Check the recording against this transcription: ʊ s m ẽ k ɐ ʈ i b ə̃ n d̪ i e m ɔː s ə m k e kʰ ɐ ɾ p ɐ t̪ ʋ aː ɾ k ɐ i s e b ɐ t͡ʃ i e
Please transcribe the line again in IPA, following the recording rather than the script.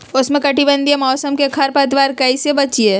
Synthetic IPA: ʊ s m ẽ k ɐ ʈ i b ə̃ n d̪ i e m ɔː s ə m k e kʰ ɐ ɾ p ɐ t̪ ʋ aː ɾ k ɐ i s e b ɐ t͡ʃ i e